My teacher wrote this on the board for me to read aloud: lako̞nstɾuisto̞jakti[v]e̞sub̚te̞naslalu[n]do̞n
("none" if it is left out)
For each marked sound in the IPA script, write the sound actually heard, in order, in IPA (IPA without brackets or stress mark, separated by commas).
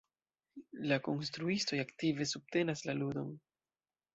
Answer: v, none